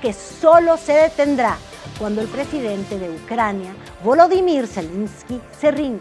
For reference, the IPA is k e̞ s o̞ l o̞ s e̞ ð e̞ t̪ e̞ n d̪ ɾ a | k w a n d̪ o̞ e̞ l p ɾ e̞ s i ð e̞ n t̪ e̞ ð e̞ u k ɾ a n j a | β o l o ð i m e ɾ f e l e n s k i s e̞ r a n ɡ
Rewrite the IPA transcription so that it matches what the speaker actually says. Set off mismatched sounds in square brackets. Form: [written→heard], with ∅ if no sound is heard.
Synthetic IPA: k e̞ s o̞ l o̞ s e̞ ð e̞ t̪ e̞ n d̪ ɾ a | k w a n d̪ o̞ e̞ l p ɾ e̞ s i ð e̞ n t̪ e̞ ð e̞ u k ɾ a n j a | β o l o ð i m [e→i] ɾ [f→s] e l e n s k i s e̞ r [a→i] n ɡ